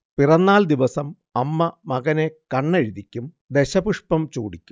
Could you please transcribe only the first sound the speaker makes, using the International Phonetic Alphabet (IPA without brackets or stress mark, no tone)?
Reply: p